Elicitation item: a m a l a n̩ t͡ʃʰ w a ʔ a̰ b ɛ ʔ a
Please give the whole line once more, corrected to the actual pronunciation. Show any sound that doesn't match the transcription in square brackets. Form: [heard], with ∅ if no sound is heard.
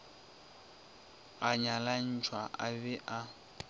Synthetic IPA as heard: a [ɲ] a l a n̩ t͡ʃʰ w a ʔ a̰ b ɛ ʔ a